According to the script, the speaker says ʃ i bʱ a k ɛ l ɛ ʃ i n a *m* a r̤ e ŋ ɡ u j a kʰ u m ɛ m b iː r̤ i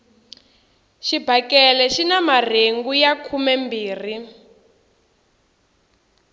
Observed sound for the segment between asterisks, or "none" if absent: m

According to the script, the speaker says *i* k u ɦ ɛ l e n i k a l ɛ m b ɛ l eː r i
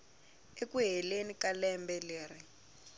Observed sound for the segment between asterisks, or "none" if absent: e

